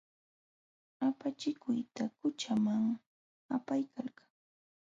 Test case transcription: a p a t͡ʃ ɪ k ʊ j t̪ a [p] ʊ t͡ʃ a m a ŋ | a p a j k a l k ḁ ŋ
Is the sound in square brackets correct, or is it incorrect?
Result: incorrect